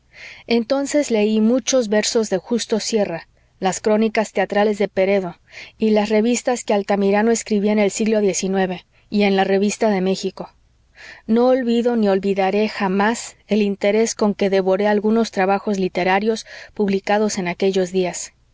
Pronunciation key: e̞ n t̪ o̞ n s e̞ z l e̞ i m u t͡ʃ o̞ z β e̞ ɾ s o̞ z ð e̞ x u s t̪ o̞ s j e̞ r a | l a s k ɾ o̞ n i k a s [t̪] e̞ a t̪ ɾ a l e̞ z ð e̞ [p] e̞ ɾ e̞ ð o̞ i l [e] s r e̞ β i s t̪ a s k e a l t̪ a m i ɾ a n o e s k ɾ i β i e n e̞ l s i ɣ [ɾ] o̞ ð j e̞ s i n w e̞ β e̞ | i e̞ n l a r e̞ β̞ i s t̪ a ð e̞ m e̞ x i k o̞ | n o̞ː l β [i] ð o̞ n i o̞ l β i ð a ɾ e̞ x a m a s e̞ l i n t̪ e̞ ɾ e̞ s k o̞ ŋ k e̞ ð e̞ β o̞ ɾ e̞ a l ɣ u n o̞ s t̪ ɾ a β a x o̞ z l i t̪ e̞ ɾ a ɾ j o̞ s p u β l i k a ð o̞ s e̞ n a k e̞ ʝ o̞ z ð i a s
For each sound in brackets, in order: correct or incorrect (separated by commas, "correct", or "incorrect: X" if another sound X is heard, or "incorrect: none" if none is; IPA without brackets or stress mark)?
correct, correct, incorrect: a, incorrect: l, correct